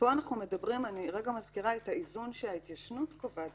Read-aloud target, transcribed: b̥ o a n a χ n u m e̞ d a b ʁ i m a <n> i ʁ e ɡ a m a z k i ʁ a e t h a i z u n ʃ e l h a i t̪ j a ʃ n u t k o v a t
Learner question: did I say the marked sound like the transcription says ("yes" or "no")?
yes